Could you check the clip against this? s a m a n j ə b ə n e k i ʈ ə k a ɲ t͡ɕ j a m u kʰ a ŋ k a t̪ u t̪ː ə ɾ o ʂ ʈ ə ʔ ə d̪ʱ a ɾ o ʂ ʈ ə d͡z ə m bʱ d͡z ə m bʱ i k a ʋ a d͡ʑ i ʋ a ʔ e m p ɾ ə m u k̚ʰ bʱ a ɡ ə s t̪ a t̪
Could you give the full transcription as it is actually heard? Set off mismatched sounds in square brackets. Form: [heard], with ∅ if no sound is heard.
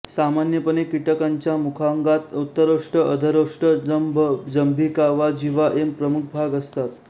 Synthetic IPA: s a m a n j ə [p] ə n e k i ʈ ə k a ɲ t͡ɕ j a m u kʰ a ŋ [ɡ] a t̪ u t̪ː ə ɾ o ʂ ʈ ə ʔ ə d̪ʱ [ə] ɾ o ʂ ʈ ə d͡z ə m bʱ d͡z ə m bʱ i k a ʋ a d͡ʑ i ʋ a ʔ e m p ɾ ə m u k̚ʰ bʱ a ɡ ə s t̪ a t̪